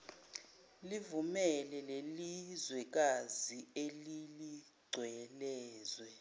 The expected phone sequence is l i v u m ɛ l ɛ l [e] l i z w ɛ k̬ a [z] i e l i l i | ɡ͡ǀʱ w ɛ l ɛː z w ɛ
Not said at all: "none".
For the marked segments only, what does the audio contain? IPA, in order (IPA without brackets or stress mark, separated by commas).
e, z